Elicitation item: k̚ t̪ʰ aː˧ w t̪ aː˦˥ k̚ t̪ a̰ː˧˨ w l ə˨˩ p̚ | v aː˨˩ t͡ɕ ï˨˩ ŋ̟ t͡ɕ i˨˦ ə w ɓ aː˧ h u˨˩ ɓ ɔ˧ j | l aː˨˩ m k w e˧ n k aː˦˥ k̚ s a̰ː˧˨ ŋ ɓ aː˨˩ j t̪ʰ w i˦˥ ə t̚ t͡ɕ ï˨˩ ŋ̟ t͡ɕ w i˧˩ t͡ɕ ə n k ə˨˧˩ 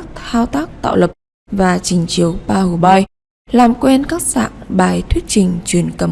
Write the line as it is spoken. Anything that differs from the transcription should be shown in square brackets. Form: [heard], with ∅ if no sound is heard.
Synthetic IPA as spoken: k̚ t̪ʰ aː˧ w t̪ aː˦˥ k̚ t̪ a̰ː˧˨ w l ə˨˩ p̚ | v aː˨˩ t͡ɕ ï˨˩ ŋ̟ t͡ɕ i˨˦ ə w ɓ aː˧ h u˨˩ ɓ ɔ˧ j | l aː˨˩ m k w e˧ n k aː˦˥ k̚ s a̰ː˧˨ ŋ ɓ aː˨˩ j t̪ʰ w i˦˥ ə t̚ t͡ɕ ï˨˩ ŋ̟ t͡ɕ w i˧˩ [∅] ə n k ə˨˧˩

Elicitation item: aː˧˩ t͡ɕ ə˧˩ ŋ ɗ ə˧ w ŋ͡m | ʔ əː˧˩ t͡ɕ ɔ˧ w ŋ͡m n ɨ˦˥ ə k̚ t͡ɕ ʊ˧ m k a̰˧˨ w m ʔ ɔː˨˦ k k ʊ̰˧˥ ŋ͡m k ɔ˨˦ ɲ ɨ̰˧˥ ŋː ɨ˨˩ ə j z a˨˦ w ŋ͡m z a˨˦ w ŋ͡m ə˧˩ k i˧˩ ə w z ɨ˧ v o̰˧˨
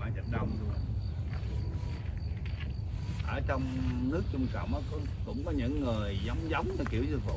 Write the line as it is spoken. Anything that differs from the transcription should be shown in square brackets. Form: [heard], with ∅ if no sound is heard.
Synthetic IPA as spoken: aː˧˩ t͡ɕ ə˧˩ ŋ ɗ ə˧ w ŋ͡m | ʔ əː˧˩ t͡ɕ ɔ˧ w ŋ͡m n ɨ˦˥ ə k̚ t͡ɕ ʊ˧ [ŋ͡m] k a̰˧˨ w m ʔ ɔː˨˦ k k ʊ̰˧˥ ŋ͡m k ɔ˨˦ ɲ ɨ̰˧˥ ŋː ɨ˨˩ ə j z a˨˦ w ŋ͡m z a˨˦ w ŋ͡m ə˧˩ k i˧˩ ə w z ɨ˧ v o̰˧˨

